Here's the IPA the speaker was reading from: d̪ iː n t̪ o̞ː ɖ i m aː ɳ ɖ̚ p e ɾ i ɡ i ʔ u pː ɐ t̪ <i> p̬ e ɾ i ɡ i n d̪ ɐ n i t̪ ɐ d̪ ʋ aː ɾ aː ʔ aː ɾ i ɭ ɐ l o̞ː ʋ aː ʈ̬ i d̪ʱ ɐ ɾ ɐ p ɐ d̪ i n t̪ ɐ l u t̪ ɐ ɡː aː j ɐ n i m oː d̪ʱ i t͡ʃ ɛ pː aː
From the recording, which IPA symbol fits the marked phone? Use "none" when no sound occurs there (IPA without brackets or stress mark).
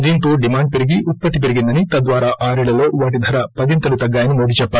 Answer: i